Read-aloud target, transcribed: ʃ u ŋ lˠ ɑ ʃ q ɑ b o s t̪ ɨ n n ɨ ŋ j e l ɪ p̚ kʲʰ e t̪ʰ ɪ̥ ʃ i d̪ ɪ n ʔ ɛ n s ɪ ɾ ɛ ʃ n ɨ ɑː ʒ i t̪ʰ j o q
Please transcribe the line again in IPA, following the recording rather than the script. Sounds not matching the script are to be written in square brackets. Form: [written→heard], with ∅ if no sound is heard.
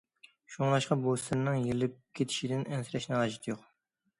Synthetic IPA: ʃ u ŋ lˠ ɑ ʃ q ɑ b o s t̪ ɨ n n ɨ ŋ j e l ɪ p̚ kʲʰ e t̪ʰ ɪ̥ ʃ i d̪ ɪ n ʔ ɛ n s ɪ ɾ ɛ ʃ n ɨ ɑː ʒ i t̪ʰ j o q